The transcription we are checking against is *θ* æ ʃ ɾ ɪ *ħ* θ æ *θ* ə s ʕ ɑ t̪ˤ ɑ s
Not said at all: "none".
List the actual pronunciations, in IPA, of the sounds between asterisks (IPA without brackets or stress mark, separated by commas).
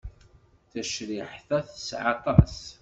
θ, ħ, θ